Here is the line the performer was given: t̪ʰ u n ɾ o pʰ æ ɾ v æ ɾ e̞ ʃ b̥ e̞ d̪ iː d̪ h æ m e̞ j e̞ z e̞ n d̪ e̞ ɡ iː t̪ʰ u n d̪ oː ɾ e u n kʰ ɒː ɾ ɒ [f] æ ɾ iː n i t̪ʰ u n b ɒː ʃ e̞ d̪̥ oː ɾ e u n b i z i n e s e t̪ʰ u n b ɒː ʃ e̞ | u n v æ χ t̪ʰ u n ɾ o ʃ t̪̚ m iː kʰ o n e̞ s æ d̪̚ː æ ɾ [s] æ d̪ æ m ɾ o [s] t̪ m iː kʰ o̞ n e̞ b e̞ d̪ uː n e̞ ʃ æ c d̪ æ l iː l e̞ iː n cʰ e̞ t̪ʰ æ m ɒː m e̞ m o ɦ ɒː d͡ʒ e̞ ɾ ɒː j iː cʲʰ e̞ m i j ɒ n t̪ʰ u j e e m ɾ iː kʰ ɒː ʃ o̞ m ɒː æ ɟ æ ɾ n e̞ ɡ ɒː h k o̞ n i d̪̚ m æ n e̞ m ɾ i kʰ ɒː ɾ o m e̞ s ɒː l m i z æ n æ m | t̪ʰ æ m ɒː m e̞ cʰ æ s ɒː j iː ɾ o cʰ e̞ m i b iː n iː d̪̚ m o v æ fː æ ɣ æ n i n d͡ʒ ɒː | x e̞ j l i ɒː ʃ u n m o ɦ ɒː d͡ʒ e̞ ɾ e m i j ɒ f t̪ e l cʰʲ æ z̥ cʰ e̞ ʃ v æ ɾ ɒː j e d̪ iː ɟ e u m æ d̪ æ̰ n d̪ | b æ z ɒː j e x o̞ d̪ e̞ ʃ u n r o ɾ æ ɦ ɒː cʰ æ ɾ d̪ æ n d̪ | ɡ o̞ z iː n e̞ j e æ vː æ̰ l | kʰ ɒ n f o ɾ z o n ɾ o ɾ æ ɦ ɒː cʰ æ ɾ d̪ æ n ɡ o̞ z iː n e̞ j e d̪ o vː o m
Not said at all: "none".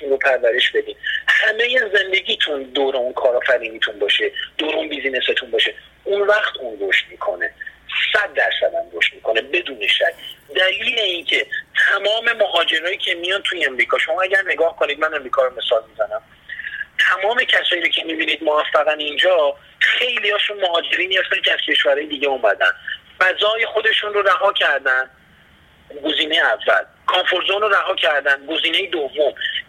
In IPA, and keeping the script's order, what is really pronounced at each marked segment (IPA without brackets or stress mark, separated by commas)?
f, s, ʃ